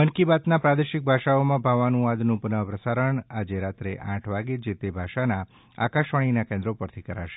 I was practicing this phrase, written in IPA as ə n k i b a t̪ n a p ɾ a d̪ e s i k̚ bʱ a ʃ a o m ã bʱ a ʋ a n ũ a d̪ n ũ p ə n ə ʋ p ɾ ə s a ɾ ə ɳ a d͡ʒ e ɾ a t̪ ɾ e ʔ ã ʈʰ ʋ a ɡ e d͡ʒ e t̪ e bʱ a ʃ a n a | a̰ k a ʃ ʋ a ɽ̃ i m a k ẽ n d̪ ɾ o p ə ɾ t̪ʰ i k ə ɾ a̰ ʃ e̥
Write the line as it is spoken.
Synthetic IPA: ə n k i b a t̪ n a p ɾ a d̪ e ʃ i k̚ bʱ a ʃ a o m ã bʱ a ʋ a n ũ a d̪ n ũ p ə n ə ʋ p ɾ ə s a ɾ ə ɳ a d͡ʒ e ɾ a t̪ ɾ e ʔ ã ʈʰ ʋ a ɡ e d͡ʒ e t̪ e bʱ a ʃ a n a | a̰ k a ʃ ʋ a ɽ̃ i n a k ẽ n d̪ ɾ o p ə ɾ t̪ʰ i k ə ɾ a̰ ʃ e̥